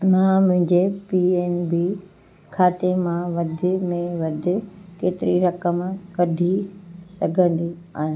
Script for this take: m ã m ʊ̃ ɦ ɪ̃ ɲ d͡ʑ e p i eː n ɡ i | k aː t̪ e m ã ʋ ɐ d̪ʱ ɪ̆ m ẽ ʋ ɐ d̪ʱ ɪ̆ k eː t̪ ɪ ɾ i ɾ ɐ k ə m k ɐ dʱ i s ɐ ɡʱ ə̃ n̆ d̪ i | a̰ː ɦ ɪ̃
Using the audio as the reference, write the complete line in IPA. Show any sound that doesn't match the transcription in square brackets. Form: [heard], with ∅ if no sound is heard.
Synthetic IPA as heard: m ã m ʊ̃ ɦ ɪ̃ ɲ d͡ʑ e p i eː n [b] i | [kʰ] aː t̪ e m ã ʋ ɐ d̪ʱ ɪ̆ m ẽ ʋ ɐ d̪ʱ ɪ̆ k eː t̪ ɪ ɾ i ɾ ɐ k ə m k ɐ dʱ i s ɐ ɡʱ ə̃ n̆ d̪ i | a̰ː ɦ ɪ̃